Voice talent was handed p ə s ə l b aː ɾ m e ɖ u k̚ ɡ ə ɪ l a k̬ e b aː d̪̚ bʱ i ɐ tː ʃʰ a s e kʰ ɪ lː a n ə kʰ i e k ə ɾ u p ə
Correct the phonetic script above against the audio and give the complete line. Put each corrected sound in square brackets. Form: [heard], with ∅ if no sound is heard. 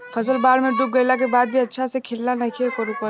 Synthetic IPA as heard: [pʰ] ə s ə l b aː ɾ m e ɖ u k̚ ɡ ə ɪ l a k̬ e b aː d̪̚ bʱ i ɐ tː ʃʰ a s e kʰ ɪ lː a n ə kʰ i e k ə ɾ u p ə